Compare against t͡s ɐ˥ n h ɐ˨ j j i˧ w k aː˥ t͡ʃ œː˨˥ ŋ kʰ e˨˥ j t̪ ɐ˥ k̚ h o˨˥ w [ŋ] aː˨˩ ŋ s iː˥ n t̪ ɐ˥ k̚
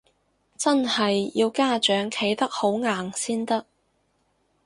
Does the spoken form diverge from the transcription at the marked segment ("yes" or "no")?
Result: no